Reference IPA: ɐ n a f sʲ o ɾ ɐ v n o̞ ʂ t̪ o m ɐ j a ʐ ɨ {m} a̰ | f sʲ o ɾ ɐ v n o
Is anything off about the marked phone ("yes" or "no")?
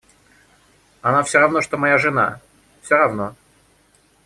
yes